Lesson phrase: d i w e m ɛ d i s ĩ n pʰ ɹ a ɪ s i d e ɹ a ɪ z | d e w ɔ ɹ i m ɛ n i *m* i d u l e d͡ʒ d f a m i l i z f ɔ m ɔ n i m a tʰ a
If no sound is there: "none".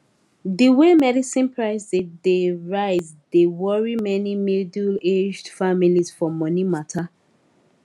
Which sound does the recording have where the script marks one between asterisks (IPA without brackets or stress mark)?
m